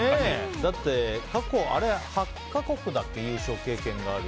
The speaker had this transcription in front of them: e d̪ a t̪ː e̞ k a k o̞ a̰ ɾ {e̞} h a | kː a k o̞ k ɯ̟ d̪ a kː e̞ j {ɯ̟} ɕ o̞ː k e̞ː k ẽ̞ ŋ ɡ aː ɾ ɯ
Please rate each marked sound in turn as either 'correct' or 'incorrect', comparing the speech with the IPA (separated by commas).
correct, incorrect